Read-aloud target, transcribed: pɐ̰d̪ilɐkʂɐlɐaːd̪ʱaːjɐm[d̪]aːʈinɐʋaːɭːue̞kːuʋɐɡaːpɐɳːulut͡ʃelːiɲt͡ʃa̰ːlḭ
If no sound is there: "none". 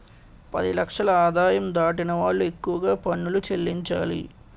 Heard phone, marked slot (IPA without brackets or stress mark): d̪